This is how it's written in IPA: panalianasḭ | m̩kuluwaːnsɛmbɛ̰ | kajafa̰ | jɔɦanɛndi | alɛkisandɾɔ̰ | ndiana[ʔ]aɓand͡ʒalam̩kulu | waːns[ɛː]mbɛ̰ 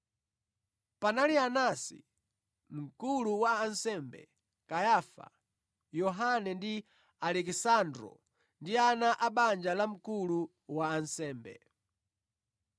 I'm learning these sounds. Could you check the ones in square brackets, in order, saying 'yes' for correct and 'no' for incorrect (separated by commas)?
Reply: yes, yes